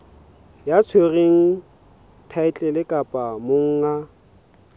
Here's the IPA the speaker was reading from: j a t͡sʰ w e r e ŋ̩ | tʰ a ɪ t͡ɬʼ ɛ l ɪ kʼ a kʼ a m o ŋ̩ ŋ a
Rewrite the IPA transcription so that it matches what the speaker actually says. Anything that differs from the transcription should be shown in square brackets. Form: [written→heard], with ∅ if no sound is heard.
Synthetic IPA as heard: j a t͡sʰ w e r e ŋ̩ | tʰ a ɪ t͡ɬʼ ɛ l ɪ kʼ a [kʼ→pʼ] a m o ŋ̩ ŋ a